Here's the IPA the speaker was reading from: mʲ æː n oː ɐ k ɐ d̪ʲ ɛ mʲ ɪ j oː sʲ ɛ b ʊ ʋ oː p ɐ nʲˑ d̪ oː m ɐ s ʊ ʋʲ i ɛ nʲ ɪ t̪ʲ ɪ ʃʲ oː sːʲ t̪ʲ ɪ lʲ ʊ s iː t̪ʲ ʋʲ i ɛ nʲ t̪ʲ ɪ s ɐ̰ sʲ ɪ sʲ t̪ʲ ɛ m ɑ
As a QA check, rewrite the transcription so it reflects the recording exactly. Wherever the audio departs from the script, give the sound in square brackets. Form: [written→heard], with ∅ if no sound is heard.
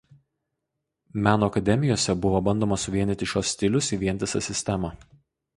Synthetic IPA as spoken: mʲ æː n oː ɐ k ɐ d̪ʲ ɛ mʲ ɪ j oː sʲ ɛ b ʊ ʋ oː [p→b] ɐ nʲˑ d̪ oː m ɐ s ʊ ʋʲ i ɛ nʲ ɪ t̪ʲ ɪ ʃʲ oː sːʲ t̪ʲ ɪ lʲ ʊ s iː [t̪ʲ→∅] ʋʲ i ɛ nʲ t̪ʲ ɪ s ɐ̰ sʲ ɪ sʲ t̪ʲ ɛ m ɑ

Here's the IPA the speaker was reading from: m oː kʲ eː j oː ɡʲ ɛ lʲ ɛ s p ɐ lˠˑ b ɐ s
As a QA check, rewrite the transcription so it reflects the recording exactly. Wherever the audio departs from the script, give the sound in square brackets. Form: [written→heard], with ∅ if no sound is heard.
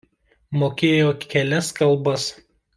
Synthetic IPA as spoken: m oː kʲ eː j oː [ɡʲ→kʲ] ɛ lʲ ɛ s [p→k] ɐ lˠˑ b ɐ s

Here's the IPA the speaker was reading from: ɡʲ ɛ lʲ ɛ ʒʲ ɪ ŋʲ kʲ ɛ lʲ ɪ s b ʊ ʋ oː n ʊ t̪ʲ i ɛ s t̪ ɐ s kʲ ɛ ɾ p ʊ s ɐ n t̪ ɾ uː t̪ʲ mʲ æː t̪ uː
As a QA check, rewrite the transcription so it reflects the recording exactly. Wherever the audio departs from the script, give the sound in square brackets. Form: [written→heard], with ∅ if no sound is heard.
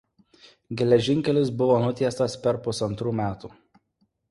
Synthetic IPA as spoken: ɡʲ ɛ lʲ ɛ ʒʲ ɪ ŋʲ kʲ ɛ lʲ ɪ s b ʊ ʋ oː n ʊ t̪ʲ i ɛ s t̪ ɐ s [kʲ→pʲ] ɛ ɾ p ʊ s ɐ n t̪ ɾ uː [t̪ʲ→∅] mʲ æː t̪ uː

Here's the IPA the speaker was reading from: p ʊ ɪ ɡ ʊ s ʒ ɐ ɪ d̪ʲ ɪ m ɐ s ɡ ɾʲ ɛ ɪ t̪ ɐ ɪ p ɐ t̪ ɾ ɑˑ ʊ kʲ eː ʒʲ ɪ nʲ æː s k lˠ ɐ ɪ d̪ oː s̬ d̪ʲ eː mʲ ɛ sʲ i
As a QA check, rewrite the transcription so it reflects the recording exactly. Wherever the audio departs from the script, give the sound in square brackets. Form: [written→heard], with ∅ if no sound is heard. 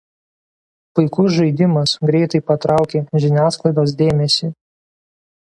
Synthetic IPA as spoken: p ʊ ɪ [ɡ→k] ʊ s ʒ ɐ ɪ d̪ʲ ɪ m ɐ s ɡ ɾʲ ɛ ɪ t̪ ɐ ɪ p ɐ t̪ ɾ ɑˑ ʊ kʲ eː ʒʲ ɪ nʲ æː s k lˠ ɐ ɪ d̪ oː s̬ d̪ʲ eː mʲ ɛ sʲ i

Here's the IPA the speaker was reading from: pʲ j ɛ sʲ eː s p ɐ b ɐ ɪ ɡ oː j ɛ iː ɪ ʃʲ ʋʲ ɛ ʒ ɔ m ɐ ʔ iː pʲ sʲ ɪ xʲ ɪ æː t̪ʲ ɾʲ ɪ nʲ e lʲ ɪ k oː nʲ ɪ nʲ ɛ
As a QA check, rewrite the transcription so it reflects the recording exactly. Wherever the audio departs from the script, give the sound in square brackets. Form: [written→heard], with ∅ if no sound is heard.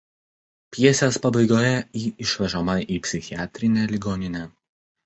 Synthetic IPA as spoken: pʲ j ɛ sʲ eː s p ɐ b ɐ ɪ ɡ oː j ɛ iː ɪ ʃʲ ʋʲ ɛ ʒ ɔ m ɐ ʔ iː pʲ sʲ ɪ xʲ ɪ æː t̪ʲ ɾʲ ɪ nʲ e lʲ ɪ [k→ɡ] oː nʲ ɪ nʲ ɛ

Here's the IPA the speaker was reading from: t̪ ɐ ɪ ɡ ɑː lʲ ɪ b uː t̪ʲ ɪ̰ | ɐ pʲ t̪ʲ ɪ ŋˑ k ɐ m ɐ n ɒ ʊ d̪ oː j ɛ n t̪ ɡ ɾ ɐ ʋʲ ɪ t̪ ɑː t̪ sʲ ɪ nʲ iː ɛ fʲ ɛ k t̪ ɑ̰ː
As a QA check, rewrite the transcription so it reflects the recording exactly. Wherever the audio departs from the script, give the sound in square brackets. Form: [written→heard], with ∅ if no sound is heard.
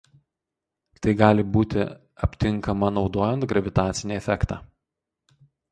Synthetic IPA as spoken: t̪ ɐ ɪ ɡ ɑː lʲ ɪ b uː t̪ʲ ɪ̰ | ɐ pʲ t̪ʲ ɪ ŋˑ k ɐ m ɐ n ɒ ʊ d̪ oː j ɛ n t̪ ɡ ɾ ɐ ʋʲ ɪ t̪ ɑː t̪ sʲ ɪ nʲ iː ɛ fʲ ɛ k t̪ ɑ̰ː

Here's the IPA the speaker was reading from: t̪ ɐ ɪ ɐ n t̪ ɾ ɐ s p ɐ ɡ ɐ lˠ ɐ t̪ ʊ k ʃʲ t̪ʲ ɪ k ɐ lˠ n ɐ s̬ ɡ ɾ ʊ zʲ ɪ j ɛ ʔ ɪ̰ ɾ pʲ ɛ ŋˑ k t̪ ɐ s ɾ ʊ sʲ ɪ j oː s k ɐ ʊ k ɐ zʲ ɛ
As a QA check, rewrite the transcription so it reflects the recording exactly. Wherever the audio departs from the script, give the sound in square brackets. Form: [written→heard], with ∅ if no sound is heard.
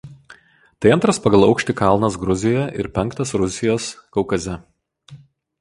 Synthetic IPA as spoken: t̪ ɐ ɪ ɐ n t̪ ɾ ɐ s p ɐ ɡ ɐ lˠ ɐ [t̪→∅] ʊ k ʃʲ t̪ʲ ɪ k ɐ lˠ n ɐ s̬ ɡ ɾ ʊ zʲ ɪ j ɛ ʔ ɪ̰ ɾ pʲ ɛ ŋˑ k t̪ ɐ s ɾ ʊ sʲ ɪ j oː s k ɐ ʊ k ɐ zʲ ɛ

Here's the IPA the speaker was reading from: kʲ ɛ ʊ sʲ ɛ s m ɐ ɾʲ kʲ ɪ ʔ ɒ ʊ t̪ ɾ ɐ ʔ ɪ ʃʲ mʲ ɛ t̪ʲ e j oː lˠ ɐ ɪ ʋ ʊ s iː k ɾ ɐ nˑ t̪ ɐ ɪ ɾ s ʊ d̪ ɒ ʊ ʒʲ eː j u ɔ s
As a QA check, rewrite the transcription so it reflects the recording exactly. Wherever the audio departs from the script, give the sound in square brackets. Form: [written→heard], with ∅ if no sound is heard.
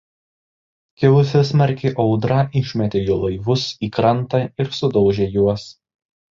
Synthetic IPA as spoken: kʲ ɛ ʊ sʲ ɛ s m ɐ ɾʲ kʲ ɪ ʔ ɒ ʊ [t̪→d̪] ɾ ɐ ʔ ɪ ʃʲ mʲ ɛ t̪ʲ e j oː lˠ ɐ ɪ ʋ ʊ s iː k ɾ ɐ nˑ t̪ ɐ ɪ ɾ s ʊ d̪ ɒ ʊ ʒʲ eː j u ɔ s

